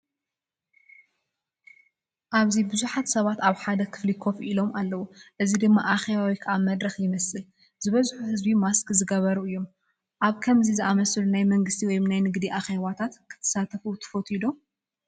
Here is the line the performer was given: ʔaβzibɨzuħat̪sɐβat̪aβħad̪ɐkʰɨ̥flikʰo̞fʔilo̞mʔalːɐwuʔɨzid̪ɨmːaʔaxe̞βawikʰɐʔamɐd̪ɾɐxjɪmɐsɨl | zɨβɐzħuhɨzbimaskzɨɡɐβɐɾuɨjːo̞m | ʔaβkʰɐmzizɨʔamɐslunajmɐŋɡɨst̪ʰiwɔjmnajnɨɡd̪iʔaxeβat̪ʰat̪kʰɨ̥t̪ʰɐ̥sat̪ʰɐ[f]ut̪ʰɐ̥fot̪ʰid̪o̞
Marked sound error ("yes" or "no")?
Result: no